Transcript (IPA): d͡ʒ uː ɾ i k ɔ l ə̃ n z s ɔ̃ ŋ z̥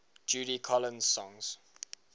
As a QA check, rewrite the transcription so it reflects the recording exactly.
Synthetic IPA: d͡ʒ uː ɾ i kʰ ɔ l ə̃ n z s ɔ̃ ŋ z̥